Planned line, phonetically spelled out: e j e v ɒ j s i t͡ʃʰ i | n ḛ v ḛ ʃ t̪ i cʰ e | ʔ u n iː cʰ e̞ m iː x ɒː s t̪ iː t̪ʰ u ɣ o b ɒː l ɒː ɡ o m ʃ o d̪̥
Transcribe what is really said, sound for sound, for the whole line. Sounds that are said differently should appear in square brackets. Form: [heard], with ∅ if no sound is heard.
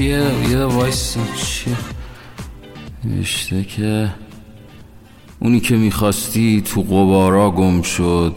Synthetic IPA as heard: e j e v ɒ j s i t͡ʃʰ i | n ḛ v ḛ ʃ t̪ [e] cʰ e | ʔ u n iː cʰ e̞ m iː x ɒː s t̪ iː t̪ʰ u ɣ o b ɒː [ɾ] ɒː ɡ o m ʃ o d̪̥